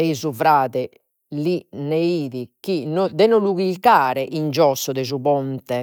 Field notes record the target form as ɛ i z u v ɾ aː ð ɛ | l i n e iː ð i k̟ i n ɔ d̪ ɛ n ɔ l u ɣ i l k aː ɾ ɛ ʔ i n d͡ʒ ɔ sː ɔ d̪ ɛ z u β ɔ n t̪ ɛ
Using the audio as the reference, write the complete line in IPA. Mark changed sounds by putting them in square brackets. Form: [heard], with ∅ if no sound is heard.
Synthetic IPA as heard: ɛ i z u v ɾ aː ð ɛ | l i n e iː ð i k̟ i n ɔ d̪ ɛ n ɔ l u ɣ i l k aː ɾ ɛ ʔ i n d͡ʒ ɔ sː ɔ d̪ ɛ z u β ɔ n t̪ ɛ